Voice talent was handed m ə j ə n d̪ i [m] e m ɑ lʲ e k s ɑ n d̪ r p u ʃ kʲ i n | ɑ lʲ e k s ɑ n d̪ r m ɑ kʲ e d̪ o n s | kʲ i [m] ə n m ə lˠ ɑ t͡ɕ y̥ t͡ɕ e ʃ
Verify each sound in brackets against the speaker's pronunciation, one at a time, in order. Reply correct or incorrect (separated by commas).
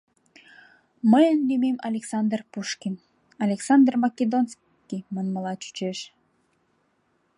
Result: correct, correct